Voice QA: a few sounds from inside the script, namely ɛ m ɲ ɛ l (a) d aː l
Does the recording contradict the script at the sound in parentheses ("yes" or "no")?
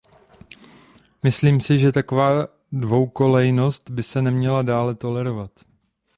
no